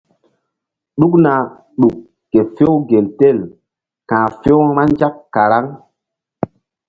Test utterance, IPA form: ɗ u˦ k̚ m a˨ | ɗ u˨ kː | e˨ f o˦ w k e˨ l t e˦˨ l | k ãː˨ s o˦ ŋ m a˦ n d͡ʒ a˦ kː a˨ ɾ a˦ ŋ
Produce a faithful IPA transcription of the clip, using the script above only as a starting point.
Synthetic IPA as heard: ɗ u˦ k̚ n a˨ | ɗ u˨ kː | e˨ f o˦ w ɡ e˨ l t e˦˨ l | k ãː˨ f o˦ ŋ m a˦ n d͡ʒ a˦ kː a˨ ɾ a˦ ŋ